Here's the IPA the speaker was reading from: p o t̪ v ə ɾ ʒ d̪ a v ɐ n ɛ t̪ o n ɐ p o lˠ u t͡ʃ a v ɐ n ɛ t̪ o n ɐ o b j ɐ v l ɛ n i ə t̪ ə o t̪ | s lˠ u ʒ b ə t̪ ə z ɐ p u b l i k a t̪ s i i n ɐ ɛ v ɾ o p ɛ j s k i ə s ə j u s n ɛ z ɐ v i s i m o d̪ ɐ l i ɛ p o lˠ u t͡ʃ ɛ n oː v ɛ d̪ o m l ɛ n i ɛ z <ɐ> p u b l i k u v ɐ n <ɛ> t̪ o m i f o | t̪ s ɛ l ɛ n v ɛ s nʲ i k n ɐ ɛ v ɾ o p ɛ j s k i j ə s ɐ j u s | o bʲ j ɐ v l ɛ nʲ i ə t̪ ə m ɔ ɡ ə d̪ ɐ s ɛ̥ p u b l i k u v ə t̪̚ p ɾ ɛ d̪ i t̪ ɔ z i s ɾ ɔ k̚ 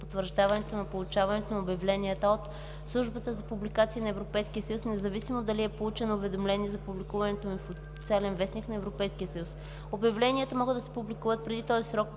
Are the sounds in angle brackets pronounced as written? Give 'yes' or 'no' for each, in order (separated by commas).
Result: yes, yes